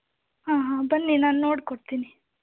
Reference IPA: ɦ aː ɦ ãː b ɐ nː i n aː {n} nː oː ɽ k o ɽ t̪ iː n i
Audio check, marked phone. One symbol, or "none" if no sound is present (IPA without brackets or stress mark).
n